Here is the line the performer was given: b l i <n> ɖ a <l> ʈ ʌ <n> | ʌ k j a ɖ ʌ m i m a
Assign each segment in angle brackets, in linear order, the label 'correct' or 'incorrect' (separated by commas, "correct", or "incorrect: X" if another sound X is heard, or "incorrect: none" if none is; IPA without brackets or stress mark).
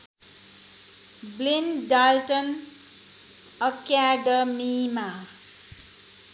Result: correct, correct, correct